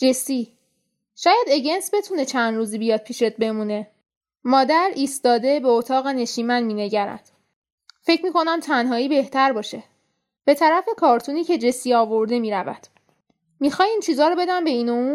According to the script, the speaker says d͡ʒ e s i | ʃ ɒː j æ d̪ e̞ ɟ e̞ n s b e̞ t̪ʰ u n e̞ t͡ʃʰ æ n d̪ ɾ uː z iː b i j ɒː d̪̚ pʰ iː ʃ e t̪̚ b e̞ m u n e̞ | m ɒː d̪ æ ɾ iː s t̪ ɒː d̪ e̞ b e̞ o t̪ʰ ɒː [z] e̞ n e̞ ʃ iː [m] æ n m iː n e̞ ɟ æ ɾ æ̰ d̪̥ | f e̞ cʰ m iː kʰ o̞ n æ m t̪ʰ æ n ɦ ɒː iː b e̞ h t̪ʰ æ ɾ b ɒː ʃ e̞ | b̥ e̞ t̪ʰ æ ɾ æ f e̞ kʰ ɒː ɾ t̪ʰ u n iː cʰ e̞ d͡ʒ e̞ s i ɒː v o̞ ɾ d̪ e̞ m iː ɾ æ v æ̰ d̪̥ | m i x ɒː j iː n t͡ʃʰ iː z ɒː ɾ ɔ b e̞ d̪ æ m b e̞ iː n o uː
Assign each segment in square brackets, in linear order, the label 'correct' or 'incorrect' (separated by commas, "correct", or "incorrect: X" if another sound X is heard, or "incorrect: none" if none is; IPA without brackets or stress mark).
incorrect: ɣ, correct